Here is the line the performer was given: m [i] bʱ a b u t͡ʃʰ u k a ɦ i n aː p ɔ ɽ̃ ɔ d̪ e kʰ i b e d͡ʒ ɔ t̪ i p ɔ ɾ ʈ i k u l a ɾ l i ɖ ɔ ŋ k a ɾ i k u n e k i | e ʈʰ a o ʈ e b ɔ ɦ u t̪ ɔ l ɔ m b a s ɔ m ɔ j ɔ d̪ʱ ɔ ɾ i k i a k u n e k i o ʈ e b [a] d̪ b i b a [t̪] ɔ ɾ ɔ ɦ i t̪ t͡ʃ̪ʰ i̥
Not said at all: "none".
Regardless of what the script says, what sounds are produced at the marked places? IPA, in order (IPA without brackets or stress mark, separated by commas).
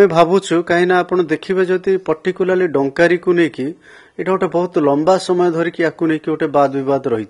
e, a, d̪